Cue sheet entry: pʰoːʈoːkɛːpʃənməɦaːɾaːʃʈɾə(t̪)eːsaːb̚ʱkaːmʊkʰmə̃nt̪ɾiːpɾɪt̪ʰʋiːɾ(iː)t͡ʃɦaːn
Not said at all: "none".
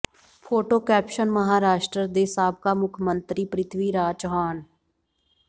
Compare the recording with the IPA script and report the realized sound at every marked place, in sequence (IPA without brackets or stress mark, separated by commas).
d̪, aː